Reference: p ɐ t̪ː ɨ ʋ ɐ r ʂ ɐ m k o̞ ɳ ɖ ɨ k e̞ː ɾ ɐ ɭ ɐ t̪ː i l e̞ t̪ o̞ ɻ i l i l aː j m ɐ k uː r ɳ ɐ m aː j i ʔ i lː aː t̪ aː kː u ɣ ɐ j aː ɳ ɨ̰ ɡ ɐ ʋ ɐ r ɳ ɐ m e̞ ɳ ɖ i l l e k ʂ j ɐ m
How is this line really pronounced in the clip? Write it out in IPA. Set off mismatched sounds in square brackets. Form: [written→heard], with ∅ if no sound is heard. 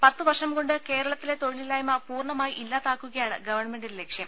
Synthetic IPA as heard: p ɐ t̪ː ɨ ʋ ɐ r ʂ ɐ m k o̞ ɳ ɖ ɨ k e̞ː ɾ ɐ ɭ ɐ t̪ː i l e̞ t̪ o̞ ɻ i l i l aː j m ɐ [k→p] uː r ɳ ɐ m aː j i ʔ i lː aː t̪ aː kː u ɣ ɐ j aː ɳ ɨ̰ ɡ ɐ ʋ ɐ r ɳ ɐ m e̞ ɳ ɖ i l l e k ʂ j ɐ m